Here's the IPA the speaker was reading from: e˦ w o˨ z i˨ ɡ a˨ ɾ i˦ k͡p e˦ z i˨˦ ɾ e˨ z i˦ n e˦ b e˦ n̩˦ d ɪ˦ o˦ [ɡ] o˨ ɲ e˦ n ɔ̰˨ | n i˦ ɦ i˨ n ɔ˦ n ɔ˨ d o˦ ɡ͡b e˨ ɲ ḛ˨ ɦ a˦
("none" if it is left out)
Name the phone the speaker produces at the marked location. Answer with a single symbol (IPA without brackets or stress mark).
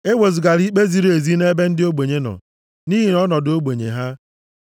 ɡ͡b